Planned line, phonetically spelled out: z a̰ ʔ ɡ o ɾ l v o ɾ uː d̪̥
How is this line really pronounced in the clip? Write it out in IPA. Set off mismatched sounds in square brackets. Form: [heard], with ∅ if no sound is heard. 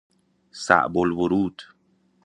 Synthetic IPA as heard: [s] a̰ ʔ [b] o [∅] l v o ɾ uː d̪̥